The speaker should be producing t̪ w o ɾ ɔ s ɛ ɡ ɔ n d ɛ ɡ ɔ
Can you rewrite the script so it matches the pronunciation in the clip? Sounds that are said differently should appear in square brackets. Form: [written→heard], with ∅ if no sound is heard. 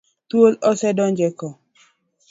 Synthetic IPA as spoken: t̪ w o [ɾ→l] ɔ s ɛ [ɡ→d] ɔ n [d→d͡ʒ] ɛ [ɡ→k] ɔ